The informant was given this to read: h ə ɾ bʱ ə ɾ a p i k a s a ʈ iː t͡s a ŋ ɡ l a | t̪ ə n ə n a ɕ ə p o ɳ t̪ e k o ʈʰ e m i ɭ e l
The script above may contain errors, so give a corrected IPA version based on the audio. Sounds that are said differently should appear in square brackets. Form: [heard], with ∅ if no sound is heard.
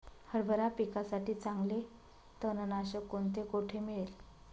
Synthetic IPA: h ə ɾ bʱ ə ɾ a p i k a s a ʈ iː t͡s a ŋ ɡ l [e] | t̪ ə n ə n a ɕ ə [k] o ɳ t̪ e k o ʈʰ e m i ɭ e l